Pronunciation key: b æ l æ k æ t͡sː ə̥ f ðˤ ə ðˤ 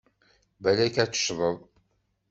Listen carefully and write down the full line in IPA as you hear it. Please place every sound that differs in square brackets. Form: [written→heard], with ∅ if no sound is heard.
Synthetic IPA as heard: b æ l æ k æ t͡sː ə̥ [f→ʃ] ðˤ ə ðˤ